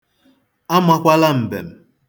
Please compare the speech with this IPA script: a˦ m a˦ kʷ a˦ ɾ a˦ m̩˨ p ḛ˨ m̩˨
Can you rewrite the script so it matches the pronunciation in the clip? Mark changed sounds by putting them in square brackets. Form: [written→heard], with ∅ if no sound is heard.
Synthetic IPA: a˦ m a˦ kʷ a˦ [ɾ→l] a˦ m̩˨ [p→b] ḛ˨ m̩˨